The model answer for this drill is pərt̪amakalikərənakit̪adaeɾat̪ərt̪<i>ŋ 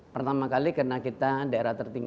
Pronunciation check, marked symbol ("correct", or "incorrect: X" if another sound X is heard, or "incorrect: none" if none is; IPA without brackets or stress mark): correct